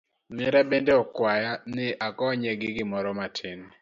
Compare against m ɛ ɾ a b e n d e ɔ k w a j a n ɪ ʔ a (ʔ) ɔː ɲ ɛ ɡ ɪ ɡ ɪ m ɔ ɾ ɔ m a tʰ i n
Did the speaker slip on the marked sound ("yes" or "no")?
yes